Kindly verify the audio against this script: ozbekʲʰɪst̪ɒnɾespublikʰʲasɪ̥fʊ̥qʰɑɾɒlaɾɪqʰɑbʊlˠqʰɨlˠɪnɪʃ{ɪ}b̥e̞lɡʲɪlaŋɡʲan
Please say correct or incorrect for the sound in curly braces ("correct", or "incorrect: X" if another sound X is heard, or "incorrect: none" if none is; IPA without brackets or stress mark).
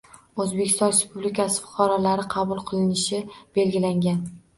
correct